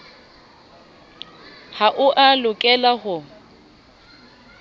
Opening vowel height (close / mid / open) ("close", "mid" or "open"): open